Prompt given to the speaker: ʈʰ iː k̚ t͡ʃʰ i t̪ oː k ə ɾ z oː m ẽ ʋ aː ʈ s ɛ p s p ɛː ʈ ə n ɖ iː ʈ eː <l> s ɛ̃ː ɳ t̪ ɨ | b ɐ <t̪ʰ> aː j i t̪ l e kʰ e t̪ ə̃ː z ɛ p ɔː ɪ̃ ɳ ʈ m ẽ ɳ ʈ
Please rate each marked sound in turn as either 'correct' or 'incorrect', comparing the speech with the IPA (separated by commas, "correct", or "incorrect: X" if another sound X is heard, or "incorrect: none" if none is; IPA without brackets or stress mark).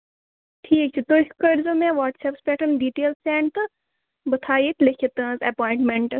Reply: correct, correct